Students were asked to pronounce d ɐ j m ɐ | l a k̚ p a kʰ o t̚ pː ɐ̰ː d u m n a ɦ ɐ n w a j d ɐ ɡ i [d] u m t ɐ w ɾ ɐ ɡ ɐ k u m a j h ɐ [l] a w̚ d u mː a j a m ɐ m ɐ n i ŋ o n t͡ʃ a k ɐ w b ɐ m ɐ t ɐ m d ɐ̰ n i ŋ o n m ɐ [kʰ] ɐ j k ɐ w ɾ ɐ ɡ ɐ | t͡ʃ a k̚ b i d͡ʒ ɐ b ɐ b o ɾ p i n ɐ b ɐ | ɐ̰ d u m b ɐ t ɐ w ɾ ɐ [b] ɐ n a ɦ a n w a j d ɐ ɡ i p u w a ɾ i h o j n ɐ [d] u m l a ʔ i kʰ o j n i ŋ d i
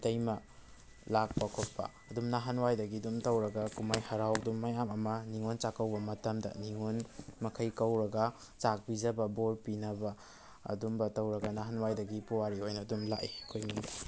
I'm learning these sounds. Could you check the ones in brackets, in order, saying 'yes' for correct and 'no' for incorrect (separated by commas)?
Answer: yes, no, yes, no, yes